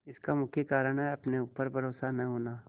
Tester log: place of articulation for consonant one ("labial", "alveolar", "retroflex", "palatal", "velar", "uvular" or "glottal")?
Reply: alveolar